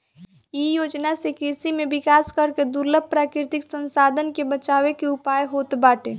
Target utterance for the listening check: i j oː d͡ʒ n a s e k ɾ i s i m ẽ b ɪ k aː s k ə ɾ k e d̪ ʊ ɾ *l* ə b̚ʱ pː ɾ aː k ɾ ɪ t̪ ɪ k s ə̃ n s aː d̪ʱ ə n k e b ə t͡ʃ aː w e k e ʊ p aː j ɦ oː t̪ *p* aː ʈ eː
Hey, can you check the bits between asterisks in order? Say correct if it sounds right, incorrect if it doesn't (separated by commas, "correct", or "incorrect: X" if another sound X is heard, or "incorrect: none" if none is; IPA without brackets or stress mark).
correct, incorrect: b